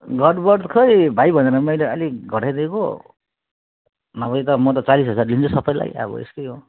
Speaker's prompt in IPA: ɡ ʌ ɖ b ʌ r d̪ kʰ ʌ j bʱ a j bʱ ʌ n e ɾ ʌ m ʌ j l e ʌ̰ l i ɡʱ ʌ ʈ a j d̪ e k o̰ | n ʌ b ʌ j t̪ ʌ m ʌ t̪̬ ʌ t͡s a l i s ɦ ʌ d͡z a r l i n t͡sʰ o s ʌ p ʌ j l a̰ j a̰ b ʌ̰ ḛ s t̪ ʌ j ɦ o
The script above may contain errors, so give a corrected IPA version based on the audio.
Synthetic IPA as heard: ɡ ʌ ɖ b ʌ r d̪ kʰ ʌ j bʱ a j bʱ ʌ n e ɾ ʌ m ʌ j l e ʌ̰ l i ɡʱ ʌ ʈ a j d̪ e k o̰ | n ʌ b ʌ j t̪ ʌ m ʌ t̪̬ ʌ t͡s a l i s ɦ ʌ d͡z a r l i n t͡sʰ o s ʌ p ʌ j l a̰ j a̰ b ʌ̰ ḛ s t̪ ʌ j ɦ o